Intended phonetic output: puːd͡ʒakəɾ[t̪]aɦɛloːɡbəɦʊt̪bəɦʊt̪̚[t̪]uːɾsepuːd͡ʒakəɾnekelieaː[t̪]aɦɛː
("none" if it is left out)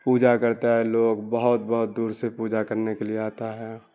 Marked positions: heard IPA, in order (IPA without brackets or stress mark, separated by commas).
t̪, d̪, t̪